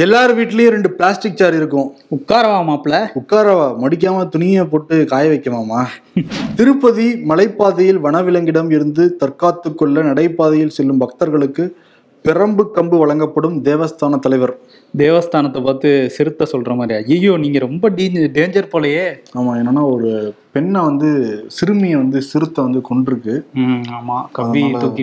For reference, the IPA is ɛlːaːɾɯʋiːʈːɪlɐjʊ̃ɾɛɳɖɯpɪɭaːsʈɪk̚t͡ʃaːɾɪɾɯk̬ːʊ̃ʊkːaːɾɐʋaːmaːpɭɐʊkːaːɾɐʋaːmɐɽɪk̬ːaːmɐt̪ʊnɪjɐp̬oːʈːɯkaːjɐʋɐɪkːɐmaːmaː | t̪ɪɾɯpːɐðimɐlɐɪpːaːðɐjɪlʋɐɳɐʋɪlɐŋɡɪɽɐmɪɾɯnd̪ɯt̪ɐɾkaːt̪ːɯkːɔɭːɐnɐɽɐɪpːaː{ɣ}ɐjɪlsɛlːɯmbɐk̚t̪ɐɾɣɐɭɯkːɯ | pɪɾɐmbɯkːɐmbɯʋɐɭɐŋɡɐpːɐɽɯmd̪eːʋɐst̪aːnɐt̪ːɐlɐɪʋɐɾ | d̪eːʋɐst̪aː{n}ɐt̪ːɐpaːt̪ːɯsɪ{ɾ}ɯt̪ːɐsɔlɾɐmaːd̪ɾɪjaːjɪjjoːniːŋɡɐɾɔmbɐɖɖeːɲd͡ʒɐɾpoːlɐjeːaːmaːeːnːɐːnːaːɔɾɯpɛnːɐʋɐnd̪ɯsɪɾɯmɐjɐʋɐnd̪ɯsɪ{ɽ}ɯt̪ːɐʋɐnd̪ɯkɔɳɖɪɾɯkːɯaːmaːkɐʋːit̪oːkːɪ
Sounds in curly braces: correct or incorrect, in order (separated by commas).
incorrect, correct, correct, incorrect